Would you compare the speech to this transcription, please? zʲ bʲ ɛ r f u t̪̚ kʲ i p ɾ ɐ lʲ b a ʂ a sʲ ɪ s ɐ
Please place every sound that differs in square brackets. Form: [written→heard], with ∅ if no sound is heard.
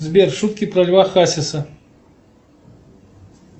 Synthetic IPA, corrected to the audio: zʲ bʲ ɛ r [f→ʂ] u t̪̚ kʲ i p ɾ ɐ lʲ [b→v] a [ʂ→x] a sʲ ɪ s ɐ